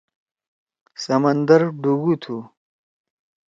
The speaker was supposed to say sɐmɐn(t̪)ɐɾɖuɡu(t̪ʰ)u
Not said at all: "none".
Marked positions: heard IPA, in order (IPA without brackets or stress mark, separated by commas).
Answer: d̪, t̪ʰ